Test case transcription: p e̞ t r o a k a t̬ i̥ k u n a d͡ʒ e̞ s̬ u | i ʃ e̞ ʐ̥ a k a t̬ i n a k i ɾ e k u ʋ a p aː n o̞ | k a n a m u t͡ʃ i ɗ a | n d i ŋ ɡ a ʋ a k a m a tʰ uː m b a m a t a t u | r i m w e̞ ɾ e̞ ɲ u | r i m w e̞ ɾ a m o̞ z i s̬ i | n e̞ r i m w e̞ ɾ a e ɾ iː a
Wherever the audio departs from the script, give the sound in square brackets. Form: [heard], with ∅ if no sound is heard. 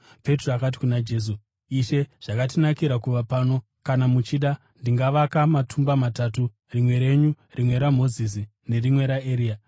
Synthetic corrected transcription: p e̞ t r o a k a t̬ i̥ k u n a d͡ʒ e̞ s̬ u | i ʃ e̞ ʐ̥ a k a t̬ i n a k i ɾ [a] k u ʋ a p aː n o̞ | k a n a m u t͡ʃ i ɗ a | n d i ŋ ɡ a ʋ a k a m a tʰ [u] m b a m a t a t u | r i m w e̞ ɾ e̞ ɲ u | r i m w e̞ ɾ a m o̞ z i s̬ i | n e̞ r i m w e̞ ɾ a e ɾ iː a